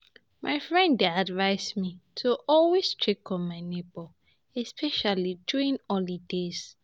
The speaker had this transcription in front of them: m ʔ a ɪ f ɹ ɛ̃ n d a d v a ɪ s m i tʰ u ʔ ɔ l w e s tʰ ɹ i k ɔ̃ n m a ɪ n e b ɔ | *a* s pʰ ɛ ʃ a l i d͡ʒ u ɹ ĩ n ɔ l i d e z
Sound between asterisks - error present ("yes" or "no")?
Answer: yes